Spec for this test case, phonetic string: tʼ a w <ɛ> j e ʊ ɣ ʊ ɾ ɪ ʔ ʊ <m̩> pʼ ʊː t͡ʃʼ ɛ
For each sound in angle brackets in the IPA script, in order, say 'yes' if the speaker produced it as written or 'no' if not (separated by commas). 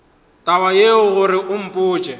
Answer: no, yes